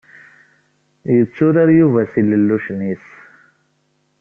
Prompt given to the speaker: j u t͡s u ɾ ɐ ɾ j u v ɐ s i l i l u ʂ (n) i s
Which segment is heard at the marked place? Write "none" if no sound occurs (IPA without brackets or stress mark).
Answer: n